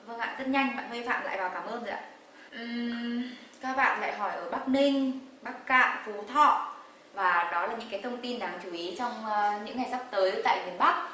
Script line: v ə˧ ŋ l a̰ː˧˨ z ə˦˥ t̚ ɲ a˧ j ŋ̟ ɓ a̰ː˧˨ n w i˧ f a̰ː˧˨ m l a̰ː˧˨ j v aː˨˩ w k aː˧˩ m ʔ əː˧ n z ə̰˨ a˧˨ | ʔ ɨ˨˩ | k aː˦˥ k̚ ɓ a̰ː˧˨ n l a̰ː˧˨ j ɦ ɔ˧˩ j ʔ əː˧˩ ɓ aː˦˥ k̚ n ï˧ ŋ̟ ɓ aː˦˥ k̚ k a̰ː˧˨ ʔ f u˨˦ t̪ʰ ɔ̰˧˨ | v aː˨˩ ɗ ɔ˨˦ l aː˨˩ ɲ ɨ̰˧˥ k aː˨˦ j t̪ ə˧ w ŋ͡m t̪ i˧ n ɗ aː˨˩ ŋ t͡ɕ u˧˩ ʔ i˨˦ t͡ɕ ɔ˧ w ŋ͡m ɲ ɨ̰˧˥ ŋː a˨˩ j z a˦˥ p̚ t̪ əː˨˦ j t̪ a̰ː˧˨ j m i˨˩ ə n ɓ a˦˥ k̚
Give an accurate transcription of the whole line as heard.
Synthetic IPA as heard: v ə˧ ŋ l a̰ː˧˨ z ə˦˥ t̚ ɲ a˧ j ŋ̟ ɓ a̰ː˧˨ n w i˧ f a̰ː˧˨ m l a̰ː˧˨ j v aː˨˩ w k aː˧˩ m ʔ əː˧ n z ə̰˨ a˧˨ | ʔ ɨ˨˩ | k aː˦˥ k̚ ɓ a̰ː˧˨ n l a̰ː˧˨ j ɦ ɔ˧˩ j ʔ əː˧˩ ɓ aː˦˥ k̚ n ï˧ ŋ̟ ɓ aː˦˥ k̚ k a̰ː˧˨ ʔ f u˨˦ t̪ʰ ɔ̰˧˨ | v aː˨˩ ɗ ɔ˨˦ l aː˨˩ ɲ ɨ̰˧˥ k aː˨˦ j t̪ʰ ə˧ w ŋ͡m t̪ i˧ n ɗ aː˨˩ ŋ t͡ɕ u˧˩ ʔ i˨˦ t͡ɕ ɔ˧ w ŋ͡m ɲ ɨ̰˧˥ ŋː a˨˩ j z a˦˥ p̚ t̪ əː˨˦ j t̪ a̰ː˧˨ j m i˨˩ ə n ɓ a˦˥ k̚